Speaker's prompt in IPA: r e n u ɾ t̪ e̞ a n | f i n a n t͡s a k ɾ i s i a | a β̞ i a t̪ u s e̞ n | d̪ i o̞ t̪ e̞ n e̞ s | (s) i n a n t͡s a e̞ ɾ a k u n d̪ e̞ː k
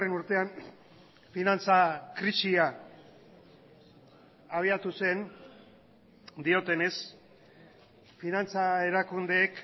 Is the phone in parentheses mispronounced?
yes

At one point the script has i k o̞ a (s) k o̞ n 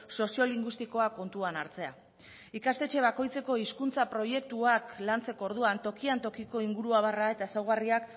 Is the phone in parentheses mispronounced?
yes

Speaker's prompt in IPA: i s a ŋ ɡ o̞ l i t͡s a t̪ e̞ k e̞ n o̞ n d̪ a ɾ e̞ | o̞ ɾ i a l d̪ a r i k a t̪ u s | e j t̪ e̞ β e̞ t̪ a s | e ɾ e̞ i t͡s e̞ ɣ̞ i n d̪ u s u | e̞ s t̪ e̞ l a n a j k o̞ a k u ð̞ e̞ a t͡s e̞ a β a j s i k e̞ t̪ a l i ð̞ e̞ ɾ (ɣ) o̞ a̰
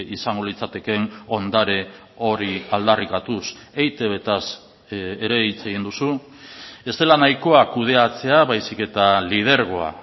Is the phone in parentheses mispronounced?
no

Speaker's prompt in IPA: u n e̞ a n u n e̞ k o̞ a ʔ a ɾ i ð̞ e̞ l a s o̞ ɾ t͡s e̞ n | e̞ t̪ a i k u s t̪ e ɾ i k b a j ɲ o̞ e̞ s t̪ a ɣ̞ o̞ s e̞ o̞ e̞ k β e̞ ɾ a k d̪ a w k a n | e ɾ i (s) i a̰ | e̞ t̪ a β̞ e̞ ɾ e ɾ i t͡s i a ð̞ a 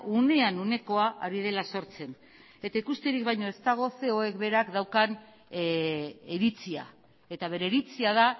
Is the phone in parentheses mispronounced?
yes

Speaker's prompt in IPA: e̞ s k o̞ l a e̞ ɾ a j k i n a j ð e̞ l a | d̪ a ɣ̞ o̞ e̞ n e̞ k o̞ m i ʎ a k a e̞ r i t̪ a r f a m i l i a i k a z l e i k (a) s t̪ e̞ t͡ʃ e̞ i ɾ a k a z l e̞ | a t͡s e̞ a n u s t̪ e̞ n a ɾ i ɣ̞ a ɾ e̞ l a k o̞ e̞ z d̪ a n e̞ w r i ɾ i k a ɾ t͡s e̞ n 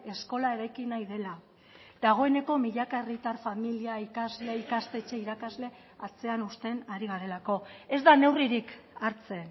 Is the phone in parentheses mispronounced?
no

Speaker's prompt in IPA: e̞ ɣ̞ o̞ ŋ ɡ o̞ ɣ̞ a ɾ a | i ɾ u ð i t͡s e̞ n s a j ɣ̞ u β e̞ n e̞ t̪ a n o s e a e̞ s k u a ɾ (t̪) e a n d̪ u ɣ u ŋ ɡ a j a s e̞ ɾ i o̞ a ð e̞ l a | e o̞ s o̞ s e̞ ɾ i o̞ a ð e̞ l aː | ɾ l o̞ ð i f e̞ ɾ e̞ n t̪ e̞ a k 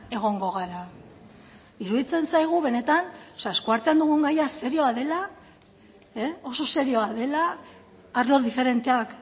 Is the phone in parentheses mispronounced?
no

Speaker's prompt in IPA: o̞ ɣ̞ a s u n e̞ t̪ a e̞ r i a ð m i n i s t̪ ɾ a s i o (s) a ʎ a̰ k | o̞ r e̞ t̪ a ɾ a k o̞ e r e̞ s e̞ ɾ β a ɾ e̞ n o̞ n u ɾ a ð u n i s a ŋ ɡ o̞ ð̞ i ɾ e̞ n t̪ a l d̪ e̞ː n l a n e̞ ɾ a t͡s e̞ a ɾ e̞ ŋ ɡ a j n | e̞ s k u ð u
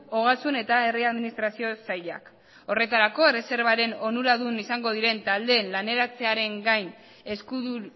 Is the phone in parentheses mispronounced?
no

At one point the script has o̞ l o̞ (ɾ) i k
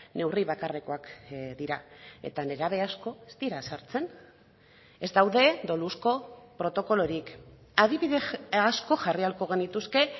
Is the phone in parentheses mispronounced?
no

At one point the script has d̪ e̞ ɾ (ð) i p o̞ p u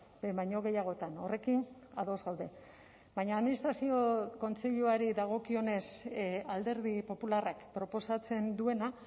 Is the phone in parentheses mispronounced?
no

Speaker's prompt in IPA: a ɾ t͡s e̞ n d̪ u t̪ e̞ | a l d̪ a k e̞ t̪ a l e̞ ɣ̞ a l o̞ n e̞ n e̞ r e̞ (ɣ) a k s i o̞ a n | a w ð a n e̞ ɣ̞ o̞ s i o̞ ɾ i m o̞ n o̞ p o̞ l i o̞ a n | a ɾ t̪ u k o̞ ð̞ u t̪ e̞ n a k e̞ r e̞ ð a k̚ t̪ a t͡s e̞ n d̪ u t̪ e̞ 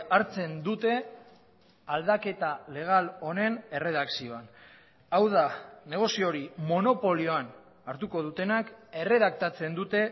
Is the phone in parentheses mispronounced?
yes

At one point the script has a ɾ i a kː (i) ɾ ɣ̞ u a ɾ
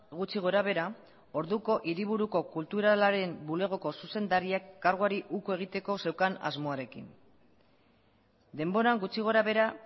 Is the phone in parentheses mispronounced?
yes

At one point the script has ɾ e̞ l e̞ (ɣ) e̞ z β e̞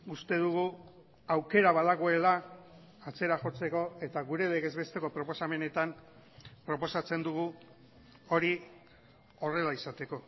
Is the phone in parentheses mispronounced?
no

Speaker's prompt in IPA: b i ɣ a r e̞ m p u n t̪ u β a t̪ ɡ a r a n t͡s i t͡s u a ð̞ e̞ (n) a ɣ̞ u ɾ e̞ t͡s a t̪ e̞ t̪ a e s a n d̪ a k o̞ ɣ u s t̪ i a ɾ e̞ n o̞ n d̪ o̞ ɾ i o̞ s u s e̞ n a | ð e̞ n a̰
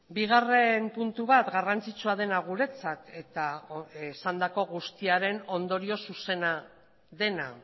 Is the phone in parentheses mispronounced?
no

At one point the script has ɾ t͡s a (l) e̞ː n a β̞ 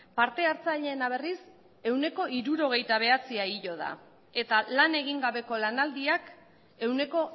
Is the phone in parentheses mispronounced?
yes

